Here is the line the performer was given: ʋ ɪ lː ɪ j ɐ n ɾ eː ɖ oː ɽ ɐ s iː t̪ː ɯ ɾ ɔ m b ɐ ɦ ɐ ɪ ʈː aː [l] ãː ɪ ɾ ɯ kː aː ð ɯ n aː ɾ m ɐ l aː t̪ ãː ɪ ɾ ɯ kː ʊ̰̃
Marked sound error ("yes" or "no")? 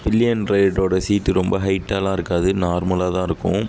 no